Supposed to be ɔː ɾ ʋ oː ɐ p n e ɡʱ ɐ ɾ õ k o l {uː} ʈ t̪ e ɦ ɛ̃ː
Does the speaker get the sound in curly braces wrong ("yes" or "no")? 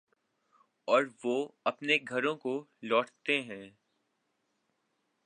yes